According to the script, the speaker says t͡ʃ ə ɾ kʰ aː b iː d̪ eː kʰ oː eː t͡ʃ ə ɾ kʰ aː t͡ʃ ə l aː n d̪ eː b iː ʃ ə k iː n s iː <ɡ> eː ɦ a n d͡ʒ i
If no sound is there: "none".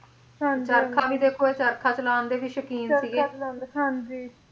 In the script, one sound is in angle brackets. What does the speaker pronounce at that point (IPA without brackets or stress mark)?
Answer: ɡ